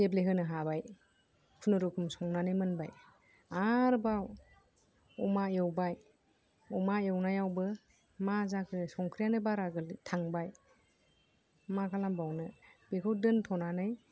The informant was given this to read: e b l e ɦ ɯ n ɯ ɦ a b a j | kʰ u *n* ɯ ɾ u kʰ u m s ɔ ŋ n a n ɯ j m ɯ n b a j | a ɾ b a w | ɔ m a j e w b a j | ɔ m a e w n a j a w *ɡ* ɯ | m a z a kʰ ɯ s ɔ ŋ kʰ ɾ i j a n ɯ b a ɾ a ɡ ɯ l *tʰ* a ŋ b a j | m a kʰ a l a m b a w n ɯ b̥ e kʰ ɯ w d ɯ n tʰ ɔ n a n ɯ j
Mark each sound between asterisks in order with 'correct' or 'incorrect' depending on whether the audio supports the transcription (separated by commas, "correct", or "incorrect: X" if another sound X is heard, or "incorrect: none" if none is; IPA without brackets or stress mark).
correct, incorrect: b, correct